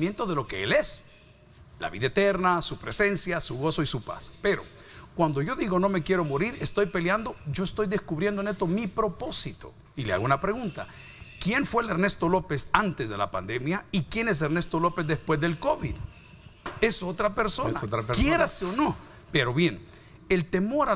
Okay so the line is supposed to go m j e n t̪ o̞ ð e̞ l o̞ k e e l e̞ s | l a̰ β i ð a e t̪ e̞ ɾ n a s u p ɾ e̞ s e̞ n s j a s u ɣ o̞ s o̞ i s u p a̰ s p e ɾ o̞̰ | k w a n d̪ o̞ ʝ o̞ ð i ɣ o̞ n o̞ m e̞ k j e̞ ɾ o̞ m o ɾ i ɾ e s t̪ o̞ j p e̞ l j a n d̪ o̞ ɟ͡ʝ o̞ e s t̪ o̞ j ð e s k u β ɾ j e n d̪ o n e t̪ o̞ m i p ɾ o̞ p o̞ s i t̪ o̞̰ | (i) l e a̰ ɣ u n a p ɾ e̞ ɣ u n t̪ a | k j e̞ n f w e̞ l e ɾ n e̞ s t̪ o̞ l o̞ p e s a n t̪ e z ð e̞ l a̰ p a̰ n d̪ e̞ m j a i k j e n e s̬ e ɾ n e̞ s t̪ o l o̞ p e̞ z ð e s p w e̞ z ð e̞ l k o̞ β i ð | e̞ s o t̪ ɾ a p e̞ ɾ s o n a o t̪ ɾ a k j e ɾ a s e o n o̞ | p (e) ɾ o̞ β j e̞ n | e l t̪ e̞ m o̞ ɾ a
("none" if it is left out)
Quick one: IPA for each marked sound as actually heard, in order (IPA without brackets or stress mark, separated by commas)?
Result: i, e